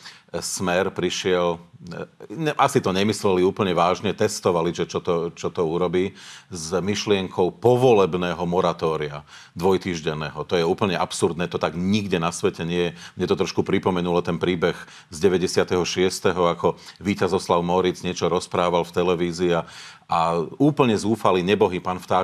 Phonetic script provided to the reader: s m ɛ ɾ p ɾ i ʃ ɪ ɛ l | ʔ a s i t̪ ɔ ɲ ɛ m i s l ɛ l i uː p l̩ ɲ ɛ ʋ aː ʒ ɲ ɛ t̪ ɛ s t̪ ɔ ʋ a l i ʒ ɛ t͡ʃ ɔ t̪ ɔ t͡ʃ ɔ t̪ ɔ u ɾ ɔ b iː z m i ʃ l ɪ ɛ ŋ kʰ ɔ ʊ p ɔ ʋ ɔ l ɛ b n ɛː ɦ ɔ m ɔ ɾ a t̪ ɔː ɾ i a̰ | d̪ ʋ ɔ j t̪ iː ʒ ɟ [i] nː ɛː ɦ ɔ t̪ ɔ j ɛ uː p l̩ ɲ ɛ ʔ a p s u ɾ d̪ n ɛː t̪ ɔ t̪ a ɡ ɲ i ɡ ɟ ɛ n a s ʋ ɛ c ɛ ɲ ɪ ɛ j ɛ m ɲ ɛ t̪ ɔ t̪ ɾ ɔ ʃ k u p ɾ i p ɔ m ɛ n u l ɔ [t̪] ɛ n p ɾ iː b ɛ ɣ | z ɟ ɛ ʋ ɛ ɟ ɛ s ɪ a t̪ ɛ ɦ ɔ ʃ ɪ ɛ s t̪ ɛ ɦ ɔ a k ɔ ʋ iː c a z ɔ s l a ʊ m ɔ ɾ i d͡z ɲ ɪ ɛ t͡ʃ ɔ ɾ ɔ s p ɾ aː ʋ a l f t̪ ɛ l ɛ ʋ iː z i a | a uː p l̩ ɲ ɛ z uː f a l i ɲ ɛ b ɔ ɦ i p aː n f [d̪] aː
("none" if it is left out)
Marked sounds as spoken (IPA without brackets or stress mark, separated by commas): ɛ, t̪, t̪